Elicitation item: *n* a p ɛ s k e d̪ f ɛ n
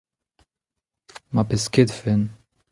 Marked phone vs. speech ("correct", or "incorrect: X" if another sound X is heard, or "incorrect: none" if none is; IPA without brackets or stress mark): incorrect: m